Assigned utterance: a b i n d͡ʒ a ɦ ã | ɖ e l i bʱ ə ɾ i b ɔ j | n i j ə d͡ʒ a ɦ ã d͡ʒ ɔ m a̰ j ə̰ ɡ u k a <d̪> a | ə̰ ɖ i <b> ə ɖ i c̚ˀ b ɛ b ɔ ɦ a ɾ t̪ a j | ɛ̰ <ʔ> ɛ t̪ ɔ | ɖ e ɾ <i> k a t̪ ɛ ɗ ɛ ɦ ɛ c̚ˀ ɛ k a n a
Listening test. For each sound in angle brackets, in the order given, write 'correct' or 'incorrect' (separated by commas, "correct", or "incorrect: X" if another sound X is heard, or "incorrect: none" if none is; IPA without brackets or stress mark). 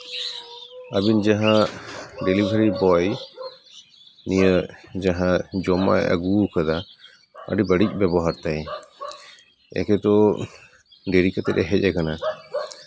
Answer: correct, correct, incorrect: k, correct